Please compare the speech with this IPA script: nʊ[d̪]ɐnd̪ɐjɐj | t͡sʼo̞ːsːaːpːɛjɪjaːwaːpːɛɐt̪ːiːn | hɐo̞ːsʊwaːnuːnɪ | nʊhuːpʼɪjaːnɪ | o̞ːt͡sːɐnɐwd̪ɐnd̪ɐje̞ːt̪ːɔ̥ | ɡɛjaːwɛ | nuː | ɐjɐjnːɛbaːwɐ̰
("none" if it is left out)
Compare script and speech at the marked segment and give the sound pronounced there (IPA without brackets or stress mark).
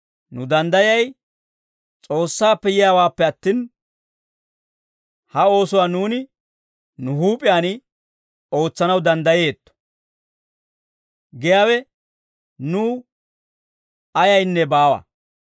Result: d̪